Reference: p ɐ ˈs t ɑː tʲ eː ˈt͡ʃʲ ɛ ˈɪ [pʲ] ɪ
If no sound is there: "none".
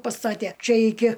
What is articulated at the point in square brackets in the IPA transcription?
kʲ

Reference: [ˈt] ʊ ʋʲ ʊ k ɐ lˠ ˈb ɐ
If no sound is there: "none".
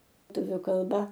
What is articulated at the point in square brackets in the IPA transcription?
t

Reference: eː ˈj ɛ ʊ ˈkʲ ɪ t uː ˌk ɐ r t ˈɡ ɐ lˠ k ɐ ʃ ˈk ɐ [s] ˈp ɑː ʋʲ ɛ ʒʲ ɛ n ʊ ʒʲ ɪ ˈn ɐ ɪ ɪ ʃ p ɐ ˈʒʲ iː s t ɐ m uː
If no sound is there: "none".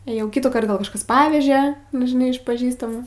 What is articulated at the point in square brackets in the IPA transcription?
s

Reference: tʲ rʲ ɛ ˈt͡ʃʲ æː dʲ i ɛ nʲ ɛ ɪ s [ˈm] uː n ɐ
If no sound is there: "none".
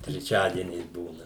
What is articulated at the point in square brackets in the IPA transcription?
b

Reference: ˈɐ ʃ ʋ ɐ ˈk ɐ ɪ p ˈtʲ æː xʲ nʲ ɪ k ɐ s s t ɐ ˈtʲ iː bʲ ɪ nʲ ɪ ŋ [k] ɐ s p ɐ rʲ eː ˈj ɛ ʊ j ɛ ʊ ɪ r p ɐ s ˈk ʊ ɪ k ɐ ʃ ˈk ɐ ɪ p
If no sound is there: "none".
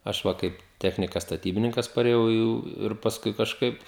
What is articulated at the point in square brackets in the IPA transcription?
k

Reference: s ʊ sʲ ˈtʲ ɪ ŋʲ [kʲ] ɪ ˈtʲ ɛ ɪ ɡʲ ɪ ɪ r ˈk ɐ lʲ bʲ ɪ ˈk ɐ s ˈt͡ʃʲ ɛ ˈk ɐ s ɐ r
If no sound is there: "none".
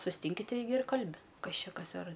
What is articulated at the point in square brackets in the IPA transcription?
kʲ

